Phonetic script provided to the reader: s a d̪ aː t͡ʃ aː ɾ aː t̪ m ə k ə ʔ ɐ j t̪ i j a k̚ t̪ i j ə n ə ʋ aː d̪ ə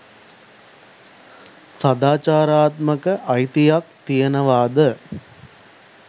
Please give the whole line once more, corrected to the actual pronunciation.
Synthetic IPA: s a d̪ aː t͡ʃ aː ɾ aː t̪ m ə k ə ʔ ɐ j t̪ i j a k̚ t̪ i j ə n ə ʋ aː d̪ ə